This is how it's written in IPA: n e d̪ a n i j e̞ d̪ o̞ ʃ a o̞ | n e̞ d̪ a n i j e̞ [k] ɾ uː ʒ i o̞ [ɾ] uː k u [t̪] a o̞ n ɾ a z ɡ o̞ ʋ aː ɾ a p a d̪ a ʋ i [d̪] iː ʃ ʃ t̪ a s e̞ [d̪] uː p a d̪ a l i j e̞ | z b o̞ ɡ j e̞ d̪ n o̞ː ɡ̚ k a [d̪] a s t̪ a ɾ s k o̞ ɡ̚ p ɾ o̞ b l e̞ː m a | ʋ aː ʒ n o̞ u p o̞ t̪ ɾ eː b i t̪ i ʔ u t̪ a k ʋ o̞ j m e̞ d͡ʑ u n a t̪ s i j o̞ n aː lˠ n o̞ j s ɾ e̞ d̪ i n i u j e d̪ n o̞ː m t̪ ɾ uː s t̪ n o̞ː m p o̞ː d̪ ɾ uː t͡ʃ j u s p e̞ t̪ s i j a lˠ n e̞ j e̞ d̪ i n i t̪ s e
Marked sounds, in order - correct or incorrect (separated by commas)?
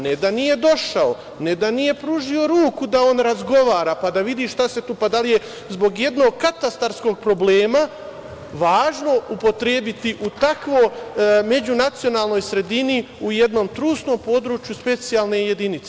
incorrect, correct, incorrect, correct, incorrect, incorrect